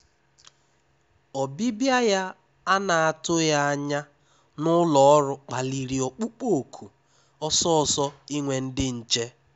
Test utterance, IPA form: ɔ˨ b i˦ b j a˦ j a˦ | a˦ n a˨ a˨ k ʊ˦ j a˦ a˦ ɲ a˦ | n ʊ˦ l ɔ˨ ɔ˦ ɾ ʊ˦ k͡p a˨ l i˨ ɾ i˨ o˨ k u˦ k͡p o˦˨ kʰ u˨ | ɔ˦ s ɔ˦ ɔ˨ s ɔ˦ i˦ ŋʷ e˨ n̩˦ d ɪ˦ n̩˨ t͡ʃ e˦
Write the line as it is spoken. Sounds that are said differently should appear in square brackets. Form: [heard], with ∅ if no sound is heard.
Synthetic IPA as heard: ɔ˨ b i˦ b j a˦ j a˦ | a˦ n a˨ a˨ [t] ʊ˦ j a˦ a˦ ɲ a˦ | n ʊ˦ l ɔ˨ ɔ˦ ɾ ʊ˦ k͡p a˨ l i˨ ɾ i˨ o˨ [k͡p] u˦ k͡p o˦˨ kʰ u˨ | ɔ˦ s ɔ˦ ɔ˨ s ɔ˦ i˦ ŋʷ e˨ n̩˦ d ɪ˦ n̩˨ t͡ʃ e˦

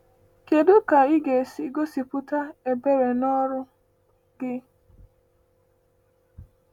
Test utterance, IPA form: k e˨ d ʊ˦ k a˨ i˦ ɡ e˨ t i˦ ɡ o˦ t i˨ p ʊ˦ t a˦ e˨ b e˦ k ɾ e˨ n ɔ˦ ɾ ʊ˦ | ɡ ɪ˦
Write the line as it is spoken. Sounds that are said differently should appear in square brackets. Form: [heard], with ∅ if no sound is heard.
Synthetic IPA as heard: k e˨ d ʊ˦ k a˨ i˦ ɡ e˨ [s] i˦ ɡ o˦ [s] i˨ p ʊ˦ t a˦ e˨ b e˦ [∅] ɾ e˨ n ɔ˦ ɾ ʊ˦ | ɡ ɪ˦

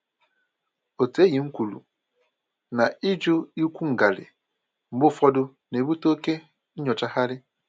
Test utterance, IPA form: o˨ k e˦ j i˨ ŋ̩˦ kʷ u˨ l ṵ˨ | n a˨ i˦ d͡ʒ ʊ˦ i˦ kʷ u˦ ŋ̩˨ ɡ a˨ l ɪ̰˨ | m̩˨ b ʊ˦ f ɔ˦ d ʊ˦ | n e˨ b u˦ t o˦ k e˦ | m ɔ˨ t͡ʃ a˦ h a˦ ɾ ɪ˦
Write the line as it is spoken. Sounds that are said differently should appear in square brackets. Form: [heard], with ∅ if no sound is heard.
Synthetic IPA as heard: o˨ [t] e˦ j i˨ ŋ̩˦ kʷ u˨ l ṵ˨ | n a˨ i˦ d͡ʒ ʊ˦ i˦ kʷ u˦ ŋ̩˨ ɡ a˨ l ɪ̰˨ | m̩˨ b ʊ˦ f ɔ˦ d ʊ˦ | n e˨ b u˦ t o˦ k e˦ | [ɲ] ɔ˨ t͡ʃ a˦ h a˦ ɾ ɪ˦

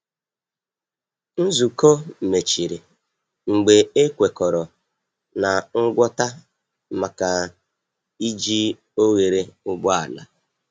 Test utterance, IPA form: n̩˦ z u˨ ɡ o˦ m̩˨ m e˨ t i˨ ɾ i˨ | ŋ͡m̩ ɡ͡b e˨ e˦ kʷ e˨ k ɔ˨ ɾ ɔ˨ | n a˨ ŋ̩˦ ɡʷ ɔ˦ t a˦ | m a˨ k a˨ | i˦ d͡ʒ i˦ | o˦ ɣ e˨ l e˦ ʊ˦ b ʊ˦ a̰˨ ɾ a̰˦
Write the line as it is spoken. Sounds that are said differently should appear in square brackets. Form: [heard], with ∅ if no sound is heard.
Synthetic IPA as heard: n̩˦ z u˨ [k] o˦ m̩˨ m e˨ [t͡ʃ] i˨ ɾ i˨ | ŋ͡m̩ ɡ͡b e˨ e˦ kʷ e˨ k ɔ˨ ɾ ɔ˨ | n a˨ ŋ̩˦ ɡʷ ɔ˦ t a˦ | m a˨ k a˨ | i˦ d͡ʒ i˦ | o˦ ɣ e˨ [ɾ] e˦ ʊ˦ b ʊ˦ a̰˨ [l] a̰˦

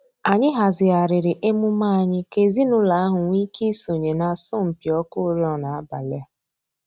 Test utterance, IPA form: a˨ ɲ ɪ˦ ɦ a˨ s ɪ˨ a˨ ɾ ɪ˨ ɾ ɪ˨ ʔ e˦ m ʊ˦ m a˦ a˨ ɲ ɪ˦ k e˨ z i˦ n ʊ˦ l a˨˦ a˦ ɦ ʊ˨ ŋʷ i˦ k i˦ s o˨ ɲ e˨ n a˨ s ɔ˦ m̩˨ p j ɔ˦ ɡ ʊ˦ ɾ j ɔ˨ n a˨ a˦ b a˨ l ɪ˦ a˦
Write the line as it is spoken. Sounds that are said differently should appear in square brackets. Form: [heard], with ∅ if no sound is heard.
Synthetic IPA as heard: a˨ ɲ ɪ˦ ɦ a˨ [z] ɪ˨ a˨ ɾ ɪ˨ ɾ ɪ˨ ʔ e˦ m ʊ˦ m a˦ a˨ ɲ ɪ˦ k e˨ z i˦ n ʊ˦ l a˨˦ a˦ ɦ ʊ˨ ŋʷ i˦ k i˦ s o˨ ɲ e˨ n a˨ s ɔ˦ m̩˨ p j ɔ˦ [k] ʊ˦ ɾ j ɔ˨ n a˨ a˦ b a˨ l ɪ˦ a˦

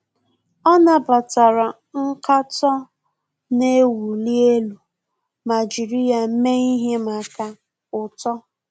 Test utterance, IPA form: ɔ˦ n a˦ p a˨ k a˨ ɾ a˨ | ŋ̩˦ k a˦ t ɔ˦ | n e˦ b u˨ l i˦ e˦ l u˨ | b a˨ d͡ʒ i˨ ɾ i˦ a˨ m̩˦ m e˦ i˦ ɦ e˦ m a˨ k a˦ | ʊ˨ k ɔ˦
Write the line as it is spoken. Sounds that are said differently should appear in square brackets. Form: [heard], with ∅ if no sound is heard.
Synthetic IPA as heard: ɔ˦ n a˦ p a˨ [t] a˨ ɾ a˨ | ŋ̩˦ k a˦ t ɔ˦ | n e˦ [w] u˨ l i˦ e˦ l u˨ | [m] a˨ d͡ʒ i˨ ɾ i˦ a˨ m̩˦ m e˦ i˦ ɦ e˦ m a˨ k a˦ | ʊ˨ [t] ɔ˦

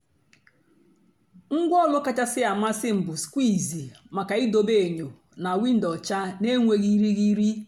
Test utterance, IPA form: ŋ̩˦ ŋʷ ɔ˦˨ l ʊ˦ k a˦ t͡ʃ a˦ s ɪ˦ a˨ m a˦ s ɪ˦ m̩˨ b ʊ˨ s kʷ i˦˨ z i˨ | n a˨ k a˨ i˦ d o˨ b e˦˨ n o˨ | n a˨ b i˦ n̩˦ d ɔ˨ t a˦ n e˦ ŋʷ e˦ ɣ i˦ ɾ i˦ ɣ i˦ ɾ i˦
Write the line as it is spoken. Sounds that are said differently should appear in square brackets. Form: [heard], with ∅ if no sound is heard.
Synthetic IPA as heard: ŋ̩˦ [ɡʷ] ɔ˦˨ l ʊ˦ k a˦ t͡ʃ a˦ s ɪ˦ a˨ m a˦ s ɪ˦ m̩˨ b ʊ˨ s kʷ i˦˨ z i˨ | [m] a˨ k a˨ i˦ d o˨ b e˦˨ [ɲ] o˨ | n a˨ [w] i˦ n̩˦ d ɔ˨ [t͡ʃ] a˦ n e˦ ŋʷ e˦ ɣ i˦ ɾ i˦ ɣ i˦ ɾ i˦

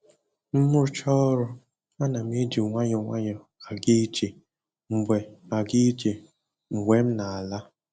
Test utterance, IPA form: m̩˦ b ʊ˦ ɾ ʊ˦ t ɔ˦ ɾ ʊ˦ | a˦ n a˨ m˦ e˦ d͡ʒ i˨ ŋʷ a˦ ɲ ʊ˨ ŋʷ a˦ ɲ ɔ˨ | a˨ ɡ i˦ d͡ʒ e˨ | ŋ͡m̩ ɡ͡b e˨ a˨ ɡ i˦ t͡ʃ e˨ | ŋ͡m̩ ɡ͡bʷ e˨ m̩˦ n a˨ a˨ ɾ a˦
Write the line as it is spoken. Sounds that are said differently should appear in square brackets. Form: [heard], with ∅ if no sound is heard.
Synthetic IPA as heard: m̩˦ [m] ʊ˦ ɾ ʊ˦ [t͡ʃ] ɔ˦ ɾ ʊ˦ | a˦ n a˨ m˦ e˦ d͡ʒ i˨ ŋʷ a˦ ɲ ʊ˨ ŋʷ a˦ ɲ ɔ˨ | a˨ ɡ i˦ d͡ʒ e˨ | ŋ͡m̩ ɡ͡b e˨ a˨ ɡ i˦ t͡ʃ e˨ | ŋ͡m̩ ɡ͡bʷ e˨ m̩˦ n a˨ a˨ [l] a˦

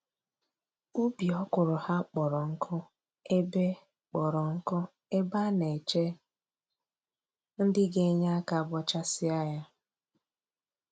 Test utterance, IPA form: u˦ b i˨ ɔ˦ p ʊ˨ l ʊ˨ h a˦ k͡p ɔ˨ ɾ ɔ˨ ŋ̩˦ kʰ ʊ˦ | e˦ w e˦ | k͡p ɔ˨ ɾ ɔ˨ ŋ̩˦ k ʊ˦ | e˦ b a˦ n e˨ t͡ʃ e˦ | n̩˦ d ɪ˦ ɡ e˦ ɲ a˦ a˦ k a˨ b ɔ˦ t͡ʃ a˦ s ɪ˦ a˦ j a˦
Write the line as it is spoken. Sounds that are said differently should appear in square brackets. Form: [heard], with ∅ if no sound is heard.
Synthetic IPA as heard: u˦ b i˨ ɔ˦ [k] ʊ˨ [ɾ] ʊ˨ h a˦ k͡p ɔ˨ ɾ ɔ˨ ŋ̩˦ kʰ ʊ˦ | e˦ [b] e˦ | k͡p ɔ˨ ɾ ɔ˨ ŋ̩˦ k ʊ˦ | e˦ b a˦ n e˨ t͡ʃ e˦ | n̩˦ d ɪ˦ ɡ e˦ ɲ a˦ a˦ k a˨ b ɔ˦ t͡ʃ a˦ s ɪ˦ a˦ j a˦

